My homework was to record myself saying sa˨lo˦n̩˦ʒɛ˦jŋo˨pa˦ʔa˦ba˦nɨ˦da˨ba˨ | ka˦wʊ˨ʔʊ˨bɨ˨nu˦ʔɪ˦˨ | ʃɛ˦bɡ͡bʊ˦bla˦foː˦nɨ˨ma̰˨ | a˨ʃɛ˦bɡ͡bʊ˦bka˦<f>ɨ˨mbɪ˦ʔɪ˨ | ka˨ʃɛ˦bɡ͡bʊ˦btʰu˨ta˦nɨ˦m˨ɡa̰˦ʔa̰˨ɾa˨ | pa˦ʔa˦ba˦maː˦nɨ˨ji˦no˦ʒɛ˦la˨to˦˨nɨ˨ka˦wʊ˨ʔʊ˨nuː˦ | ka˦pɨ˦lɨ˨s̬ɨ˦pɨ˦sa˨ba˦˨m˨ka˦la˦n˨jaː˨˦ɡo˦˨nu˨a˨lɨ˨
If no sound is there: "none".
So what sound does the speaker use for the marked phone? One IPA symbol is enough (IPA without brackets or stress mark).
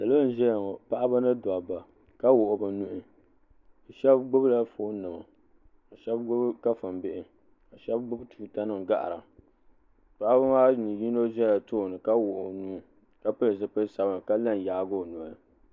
f